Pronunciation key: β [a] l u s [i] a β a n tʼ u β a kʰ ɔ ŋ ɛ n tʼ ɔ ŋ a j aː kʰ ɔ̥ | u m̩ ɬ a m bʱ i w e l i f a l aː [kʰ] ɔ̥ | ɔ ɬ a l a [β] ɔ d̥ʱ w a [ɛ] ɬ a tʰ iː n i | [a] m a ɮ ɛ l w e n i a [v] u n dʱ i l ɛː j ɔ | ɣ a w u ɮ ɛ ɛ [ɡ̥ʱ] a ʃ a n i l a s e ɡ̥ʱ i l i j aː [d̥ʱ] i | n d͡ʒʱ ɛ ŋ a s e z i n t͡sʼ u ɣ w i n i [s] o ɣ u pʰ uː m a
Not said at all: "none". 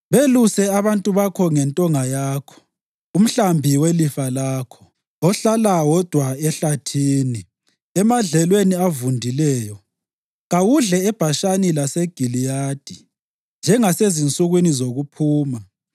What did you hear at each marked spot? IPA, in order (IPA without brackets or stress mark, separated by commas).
e, ɛ, kʰ, w, ɛ, ɛ, v, b̥ʱ, d̥ʱ, z